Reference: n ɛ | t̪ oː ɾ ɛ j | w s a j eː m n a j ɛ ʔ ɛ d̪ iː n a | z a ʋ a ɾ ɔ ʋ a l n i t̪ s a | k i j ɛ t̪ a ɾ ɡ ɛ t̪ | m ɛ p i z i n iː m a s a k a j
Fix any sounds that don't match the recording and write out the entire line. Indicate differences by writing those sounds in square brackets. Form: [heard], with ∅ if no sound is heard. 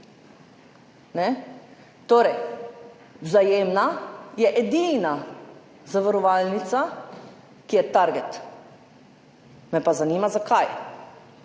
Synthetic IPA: n ɛ | t̪ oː ɾ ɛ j | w [z] a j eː m n a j ɛ ʔ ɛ d̪ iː n a | z a ʋ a ɾ ɔ ʋ a l n i t̪ s a | k i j ɛ t̪ a ɾ ɡ ɛ t̪ | m ɛ p [a] z [a] n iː m a [z] a k a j